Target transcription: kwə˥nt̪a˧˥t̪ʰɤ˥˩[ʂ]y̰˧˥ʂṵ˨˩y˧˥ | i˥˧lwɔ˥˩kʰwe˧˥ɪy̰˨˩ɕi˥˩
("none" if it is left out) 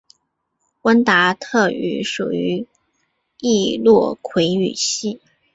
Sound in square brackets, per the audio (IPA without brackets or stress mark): none